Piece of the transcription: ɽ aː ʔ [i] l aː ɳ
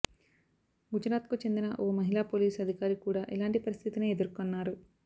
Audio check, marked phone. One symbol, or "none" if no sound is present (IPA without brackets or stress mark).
i